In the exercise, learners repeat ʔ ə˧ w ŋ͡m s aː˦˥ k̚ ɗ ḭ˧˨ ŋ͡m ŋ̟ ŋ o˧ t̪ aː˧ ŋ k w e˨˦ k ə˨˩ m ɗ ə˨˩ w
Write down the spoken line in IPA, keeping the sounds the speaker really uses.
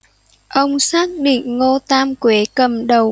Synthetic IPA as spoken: ʔ ə˧ w ŋ͡m s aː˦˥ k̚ ɗ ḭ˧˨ ŋ̟ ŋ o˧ t̪ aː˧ m k w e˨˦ k ə˨˩ m ɗ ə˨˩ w